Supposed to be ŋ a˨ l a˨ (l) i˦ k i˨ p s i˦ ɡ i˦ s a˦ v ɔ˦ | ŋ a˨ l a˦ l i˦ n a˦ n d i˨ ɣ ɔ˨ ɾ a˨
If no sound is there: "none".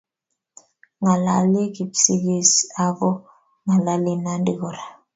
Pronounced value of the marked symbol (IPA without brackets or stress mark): l